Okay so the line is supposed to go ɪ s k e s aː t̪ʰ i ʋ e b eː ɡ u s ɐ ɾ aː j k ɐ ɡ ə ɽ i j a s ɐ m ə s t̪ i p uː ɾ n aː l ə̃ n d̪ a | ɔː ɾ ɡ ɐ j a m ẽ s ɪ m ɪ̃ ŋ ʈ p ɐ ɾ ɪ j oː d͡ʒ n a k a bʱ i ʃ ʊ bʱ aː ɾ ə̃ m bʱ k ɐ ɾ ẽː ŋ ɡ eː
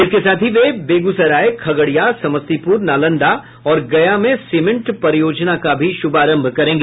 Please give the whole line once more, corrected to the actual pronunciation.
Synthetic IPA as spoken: ɪ s k e s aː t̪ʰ i ʋ e b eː ɡ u s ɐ ɾ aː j kʰ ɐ ɡ ə ɽ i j a s ɐ m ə s t̪ i p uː ɾ n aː l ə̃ n d̪ a | ɔː ɾ ɡ ɐ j a m ẽ s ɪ m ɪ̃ ɳ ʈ p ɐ ɾ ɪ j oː d͡ʒ n a k a bʱ i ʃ ʊ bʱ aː ɾ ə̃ m bʱ k ɐ ɾ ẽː ŋ ɡ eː